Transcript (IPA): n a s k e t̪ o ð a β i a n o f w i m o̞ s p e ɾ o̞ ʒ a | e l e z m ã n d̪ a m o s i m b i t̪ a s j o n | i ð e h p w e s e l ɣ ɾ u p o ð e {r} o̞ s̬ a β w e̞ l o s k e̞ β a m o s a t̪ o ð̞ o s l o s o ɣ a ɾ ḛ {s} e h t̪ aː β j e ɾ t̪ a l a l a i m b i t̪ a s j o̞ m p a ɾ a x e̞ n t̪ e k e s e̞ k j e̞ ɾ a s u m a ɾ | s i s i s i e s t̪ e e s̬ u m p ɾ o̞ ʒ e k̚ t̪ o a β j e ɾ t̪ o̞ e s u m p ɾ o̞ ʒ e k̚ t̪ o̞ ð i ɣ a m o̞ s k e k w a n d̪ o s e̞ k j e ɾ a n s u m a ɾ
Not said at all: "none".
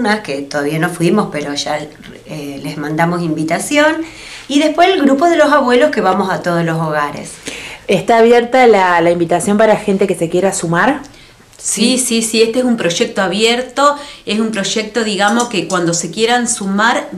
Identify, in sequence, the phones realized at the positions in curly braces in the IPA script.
l, s

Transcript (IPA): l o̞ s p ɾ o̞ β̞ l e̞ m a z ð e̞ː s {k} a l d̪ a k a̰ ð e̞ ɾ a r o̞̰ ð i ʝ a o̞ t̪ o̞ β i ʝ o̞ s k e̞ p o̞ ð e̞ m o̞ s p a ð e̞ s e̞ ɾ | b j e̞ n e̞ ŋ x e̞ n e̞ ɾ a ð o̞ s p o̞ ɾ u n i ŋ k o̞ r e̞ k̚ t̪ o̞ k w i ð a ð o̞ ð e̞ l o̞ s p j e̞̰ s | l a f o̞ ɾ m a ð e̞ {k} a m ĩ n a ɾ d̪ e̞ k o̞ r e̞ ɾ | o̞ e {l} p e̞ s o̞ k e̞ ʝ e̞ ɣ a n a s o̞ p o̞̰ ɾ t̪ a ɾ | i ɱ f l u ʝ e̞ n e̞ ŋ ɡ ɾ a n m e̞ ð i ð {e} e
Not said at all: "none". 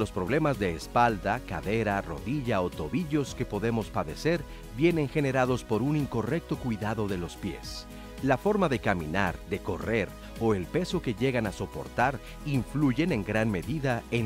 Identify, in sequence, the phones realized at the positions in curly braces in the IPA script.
p, k, l, a

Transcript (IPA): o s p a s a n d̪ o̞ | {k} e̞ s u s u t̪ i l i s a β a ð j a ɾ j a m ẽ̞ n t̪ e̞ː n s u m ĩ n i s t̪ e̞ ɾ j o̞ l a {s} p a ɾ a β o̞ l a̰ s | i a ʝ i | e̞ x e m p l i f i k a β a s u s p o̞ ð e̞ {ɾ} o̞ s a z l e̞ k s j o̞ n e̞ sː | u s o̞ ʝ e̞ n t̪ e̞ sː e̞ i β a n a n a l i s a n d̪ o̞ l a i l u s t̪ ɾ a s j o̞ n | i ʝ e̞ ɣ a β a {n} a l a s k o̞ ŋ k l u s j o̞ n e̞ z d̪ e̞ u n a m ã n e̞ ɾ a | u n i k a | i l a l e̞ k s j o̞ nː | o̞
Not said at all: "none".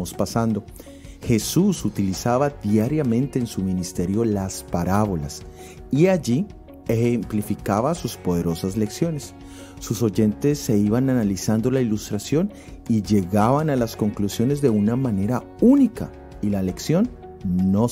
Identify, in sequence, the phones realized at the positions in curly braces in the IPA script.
x, s, ɾ, n

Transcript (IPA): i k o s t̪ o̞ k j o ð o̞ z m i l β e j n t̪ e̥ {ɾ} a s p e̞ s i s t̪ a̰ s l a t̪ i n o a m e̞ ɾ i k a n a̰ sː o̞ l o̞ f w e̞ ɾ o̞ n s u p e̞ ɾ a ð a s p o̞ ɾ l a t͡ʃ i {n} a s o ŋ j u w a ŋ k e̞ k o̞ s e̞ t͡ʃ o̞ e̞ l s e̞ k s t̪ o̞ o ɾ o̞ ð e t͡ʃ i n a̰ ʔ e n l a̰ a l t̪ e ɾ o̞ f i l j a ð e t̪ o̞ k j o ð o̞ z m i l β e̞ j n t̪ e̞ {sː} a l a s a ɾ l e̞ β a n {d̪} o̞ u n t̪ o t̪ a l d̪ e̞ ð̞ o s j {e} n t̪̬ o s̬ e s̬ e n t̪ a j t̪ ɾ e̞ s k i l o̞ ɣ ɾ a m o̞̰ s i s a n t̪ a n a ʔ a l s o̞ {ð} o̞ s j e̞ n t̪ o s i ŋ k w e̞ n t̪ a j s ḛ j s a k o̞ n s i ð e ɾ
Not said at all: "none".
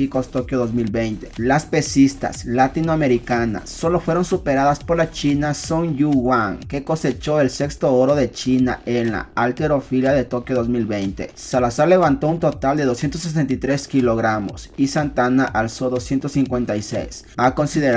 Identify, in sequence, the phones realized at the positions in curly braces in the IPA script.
l, n, s, t̪, e, ð

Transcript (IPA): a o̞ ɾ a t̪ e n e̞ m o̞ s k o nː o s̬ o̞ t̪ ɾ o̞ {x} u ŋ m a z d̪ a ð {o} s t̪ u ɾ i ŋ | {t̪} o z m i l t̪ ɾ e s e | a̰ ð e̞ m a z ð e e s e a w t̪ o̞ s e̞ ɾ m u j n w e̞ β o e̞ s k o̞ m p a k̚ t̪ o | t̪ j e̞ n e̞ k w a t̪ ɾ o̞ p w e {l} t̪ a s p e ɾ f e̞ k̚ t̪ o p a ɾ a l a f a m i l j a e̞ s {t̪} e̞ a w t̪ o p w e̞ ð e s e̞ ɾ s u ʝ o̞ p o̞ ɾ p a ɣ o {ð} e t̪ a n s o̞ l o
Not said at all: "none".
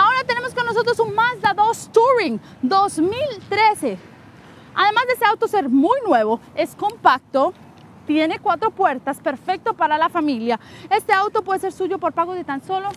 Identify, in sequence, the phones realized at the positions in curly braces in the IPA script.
s, o, d̪, ɾ, t̪, ð

